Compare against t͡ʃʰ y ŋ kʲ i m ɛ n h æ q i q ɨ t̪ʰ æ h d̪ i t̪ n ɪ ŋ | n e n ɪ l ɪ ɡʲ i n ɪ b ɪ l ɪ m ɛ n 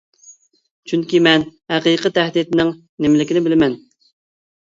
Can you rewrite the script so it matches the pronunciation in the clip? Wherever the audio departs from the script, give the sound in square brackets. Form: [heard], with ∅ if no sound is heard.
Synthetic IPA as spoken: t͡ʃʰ y ŋ kʲ i m ɛ n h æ q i q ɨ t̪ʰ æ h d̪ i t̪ n ɪ ŋ | n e [m] ɪ l ɪ [kʲ] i n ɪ b ɪ l ɪ m ɛ n